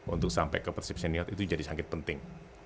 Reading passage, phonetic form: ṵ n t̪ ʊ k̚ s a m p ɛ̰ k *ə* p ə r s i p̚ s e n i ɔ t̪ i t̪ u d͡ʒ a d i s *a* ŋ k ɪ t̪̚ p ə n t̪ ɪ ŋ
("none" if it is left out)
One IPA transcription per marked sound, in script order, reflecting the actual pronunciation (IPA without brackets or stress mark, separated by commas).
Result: ə, a